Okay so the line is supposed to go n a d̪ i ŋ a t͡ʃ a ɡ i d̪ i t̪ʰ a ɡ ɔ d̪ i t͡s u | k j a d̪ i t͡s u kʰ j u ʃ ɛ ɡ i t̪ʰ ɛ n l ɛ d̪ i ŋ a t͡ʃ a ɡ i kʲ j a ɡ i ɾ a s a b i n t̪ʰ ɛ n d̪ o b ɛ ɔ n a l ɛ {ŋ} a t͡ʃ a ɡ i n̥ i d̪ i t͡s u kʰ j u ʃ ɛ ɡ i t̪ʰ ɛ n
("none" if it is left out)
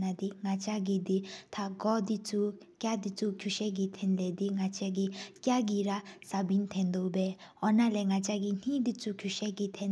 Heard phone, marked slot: ŋ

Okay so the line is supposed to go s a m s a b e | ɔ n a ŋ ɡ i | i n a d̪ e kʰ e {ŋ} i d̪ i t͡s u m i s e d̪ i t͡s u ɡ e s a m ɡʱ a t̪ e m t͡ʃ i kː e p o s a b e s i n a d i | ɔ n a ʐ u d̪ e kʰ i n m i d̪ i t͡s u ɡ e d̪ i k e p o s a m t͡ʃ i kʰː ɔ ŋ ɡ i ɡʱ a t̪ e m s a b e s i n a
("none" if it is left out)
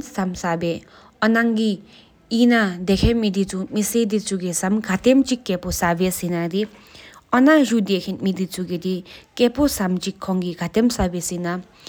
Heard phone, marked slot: m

